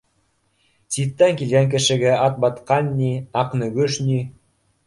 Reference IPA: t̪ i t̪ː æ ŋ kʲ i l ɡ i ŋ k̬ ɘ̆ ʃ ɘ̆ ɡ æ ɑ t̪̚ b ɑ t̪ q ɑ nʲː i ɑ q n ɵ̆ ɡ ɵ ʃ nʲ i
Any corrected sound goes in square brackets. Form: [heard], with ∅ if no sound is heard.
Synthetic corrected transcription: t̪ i t̪ː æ ŋ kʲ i l ɡ [æ] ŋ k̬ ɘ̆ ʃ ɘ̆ ɡ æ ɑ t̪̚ b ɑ t̪ q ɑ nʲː i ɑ q n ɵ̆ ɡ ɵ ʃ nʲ i